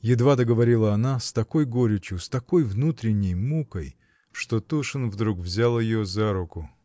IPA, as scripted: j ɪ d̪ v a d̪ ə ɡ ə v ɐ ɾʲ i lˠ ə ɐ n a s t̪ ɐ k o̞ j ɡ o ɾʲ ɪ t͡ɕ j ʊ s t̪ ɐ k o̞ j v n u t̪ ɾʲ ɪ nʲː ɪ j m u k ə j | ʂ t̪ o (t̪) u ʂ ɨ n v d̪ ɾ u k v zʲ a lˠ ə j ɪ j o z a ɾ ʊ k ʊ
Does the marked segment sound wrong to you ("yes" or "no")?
no